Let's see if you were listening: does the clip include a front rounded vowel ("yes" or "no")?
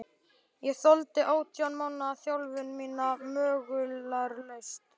yes